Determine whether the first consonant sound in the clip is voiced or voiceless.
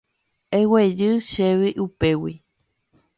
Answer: voiced